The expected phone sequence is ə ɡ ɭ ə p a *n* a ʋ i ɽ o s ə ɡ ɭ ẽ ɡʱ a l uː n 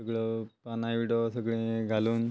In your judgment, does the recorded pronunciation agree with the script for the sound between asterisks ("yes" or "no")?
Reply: yes